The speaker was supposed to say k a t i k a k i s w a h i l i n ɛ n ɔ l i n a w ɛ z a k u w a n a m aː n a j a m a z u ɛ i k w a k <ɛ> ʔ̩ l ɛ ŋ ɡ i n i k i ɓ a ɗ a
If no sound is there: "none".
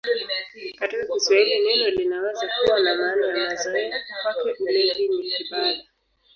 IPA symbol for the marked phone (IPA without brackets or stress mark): ɛ